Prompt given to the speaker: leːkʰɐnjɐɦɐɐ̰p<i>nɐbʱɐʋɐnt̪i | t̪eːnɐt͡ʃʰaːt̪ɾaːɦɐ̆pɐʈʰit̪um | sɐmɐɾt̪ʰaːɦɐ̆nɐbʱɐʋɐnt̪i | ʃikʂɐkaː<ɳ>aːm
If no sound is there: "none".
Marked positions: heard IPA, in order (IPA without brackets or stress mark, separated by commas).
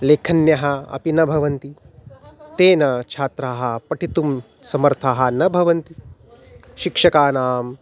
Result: i, n